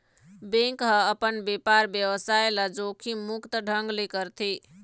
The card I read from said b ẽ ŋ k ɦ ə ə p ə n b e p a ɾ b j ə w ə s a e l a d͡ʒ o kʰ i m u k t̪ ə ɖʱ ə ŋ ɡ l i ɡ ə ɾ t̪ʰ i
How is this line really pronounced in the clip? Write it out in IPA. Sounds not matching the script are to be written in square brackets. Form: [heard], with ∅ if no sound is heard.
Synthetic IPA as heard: b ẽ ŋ k ɦ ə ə p ə n b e p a ɾ b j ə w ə s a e l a d͡ʒ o kʰ i m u k t̪ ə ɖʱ ə ŋ ɡ l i [k] ə ɾ t̪ʰ i